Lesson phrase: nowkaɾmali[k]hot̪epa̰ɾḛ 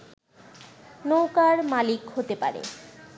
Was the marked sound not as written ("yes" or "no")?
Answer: no